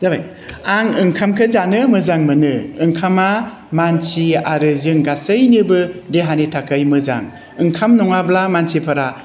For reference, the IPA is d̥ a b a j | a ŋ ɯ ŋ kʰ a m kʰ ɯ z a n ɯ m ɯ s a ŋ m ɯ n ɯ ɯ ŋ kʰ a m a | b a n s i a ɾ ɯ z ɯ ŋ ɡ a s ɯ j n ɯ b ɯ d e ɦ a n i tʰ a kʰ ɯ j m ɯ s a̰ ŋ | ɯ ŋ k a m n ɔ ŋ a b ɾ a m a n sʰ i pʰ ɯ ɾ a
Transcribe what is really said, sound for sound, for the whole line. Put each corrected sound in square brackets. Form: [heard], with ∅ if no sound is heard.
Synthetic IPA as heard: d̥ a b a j | a ŋ ɯ ŋ kʰ a m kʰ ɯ z a n ɯ m ɯ [z] a ŋ m ɯ n ɯ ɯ ŋ kʰ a m a | [m] a n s i a ɾ ɯ z ɯ ŋ ɡ a s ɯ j n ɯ b ɯ d e ɦ a n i tʰ a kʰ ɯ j m ɯ [z] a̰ ŋ | ɯ ŋ [kʰ] a m n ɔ ŋ a b [l] a m a n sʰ i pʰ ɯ ɾ a

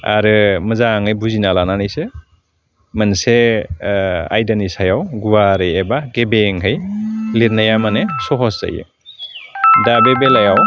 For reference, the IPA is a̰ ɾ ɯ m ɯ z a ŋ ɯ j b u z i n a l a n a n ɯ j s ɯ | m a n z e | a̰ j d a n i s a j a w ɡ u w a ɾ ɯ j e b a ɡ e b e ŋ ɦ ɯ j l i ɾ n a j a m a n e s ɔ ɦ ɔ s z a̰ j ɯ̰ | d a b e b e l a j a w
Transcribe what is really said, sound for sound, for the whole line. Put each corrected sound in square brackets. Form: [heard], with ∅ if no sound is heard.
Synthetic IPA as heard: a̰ ɾ ɯ m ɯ z a ŋ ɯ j b u z i n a l a n a n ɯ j s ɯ | m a n [s] e | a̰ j d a n i s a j a w ɡ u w a ɾ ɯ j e b a ɡ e b e ŋ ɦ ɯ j l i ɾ n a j a m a n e s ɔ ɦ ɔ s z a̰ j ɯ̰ | d a b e b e l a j a w

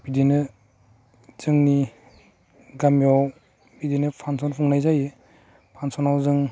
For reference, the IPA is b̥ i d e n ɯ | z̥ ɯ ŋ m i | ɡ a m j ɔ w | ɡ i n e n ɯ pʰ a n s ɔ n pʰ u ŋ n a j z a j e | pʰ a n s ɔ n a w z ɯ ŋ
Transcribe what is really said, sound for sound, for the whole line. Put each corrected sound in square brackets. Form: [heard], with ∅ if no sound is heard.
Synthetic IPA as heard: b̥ i d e n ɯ | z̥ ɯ ŋ [n] i | ɡ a m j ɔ w | [b] i [d] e n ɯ pʰ a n s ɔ n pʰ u ŋ n a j z a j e | pʰ a n s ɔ n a w z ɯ ŋ

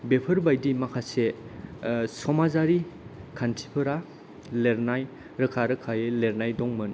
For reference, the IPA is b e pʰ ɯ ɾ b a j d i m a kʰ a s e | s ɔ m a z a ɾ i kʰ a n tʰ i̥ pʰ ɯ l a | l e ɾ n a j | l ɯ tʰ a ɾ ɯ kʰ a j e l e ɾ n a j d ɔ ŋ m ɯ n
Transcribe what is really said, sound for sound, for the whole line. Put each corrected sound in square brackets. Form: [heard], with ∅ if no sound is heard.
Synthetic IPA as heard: b e pʰ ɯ ɾ b a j d i m a kʰ a s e | s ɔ m a z a ɾ i kʰ a n tʰ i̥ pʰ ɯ [ɾ] a | l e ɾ n a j | [ɾ] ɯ [kʰ] a ɾ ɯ kʰ a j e l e ɾ n a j d ɔ ŋ m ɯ n

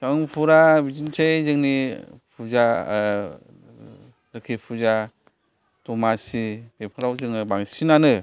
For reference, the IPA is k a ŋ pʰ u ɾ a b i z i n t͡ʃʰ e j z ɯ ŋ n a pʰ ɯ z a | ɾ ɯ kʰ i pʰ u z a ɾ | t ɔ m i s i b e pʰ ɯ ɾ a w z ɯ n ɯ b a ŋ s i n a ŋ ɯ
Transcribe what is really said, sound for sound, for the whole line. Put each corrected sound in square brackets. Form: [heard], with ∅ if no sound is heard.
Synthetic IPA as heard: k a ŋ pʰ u ɾ a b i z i n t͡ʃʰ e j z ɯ ŋ n [i] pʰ [u] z a | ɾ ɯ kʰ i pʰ u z a [∅] | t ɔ m [a] s i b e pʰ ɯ ɾ a w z ɯ [ŋ] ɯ b a ŋ s i n a [n] ɯ

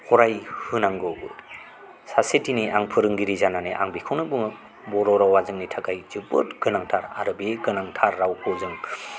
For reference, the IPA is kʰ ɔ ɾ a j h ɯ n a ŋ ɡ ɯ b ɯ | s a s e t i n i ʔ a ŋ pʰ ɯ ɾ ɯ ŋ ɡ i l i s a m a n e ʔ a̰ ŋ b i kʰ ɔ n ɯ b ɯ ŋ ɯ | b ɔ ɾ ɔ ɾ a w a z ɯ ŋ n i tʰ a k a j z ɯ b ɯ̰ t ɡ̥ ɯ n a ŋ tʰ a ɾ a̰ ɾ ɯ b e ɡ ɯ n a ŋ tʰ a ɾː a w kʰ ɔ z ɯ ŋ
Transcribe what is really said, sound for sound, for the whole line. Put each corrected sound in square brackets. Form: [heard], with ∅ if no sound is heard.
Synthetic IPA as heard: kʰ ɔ ɾ a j h ɯ n a ŋ ɡ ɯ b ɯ | s a s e t i n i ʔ a ŋ pʰ ɯ ɾ ɯ ŋ ɡ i [ɾ] i [z] a [n] a n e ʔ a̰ ŋ b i kʰ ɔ n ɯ b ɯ ŋ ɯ | b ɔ ɾ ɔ ɾ a w a z ɯ ŋ n i tʰ a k a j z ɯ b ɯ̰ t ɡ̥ ɯ n a ŋ tʰ a ɾ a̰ ɾ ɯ b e ɡ ɯ n a ŋ tʰ a ɾː a w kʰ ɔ z ɯ ŋ

